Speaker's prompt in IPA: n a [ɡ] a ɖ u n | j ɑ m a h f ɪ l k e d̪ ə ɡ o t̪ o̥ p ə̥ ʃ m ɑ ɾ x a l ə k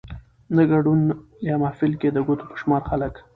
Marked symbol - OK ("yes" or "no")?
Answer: yes